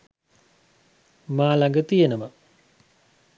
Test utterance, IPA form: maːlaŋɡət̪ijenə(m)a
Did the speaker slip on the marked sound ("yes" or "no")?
no